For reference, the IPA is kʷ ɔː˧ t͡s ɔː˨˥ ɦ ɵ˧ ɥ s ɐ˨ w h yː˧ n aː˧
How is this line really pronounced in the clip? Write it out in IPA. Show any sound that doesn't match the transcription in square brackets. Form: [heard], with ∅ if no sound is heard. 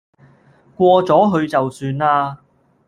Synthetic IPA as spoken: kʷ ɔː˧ t͡s ɔː˨˥ ɦ ɵ˧ ɥ [t͡s] ɐ˨ w [s] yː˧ n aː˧